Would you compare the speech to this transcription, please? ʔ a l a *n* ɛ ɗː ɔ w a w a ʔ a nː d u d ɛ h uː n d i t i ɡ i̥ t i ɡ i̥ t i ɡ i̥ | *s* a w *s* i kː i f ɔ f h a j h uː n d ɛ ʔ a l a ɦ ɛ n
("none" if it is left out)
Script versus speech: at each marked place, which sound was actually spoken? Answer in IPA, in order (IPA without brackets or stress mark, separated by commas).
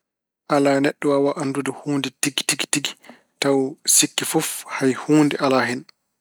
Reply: n, t, s